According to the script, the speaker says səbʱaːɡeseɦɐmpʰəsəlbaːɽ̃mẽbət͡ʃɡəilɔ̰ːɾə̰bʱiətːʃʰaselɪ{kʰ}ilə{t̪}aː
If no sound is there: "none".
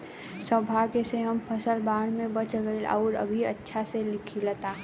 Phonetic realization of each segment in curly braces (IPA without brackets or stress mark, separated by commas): kʰ, t̪